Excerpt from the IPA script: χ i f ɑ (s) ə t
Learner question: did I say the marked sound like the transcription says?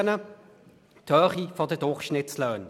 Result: no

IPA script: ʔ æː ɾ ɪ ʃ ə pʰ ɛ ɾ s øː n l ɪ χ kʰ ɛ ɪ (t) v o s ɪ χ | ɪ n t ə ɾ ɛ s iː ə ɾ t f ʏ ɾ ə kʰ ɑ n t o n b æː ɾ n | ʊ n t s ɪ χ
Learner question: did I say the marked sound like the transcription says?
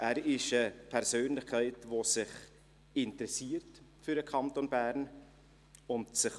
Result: yes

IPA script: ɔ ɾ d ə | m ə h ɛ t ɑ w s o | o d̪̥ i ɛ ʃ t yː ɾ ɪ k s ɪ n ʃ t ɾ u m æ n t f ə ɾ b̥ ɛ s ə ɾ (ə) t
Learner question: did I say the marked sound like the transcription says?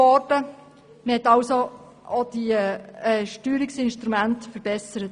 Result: yes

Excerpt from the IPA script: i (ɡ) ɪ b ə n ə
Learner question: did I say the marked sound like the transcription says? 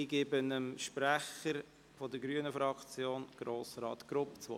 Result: yes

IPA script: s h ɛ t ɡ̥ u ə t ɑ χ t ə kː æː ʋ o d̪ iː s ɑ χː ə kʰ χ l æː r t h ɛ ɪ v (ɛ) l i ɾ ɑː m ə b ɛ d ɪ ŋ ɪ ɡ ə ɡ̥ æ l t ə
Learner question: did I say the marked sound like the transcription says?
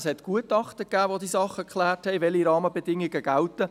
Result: yes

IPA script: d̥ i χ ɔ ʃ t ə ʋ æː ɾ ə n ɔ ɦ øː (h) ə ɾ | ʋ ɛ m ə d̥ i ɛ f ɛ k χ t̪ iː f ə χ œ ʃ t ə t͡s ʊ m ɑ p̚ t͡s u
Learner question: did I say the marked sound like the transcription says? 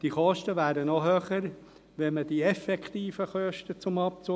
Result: no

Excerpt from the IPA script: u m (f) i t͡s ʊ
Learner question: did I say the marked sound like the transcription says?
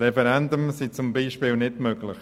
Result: no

